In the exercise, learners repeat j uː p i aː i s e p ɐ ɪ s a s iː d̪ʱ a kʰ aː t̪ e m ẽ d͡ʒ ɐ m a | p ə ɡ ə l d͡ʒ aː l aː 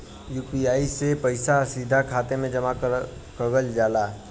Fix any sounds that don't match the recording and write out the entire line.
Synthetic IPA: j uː p i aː i s e p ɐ ɪ s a s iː d̪ʱ a kʰ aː t̪ e m ẽ d͡ʒ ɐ m a | k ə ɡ ə l d͡ʒ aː l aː

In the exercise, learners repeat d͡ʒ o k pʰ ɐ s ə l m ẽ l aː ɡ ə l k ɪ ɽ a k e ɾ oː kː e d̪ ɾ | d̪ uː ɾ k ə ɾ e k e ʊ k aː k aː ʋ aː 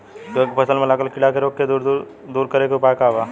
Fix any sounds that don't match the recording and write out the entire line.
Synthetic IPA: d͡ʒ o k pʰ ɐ s ə l m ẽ l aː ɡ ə l k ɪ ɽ a k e ɾ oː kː e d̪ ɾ | d̪ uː ɾ k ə ɾ e k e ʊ p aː k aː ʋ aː

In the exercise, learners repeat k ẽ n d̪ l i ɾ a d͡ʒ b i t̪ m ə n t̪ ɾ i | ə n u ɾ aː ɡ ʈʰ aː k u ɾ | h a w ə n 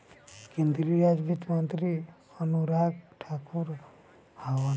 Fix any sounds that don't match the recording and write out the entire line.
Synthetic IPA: k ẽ n d̪ ɾ i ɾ a d͡ʒ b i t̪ m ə n t̪ ɾ i | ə n u ɾ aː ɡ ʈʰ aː k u ɾ | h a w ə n

